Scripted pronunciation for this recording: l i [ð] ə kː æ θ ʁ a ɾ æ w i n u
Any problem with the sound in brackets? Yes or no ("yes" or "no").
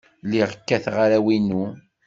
yes